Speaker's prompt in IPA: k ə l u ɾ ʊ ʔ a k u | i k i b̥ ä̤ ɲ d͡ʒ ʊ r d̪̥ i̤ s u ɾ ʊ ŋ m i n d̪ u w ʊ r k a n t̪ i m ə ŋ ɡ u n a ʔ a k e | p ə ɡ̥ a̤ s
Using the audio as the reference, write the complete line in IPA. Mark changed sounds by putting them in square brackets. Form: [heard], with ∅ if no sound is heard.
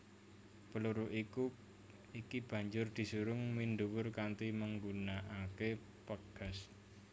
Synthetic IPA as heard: [p] ə l u ɾ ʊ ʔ [i] k u | i k i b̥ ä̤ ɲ d͡ʒ ʊ r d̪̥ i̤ s u ɾ ʊ ŋ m i n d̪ u w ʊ r k a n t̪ i m ə ŋ ɡ u n a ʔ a k e | p ə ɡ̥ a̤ s